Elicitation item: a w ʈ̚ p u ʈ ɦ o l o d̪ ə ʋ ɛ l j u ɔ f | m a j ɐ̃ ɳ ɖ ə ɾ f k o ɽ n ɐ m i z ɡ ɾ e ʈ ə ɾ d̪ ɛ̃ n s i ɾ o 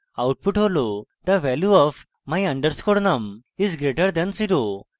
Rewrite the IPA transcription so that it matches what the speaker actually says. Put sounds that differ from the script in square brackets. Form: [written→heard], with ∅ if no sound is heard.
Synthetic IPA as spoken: a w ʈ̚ p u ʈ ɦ o l o d̪ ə ʋ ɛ l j u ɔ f | m a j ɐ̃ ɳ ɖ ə ɾ [f→s] k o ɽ n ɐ m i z ɡ ɾ e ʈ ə ɾ d̪ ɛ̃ n s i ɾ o